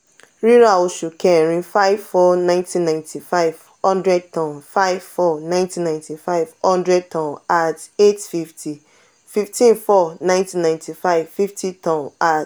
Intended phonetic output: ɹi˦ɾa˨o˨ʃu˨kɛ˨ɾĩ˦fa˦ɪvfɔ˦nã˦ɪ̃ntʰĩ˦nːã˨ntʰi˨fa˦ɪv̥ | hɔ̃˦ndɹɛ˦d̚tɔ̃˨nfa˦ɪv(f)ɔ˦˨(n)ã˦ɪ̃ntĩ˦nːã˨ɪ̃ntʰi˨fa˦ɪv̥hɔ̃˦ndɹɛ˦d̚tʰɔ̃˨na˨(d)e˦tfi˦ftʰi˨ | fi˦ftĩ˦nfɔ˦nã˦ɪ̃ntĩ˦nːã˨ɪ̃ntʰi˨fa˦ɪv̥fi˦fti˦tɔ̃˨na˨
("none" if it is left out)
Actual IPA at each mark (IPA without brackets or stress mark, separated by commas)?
f, n, t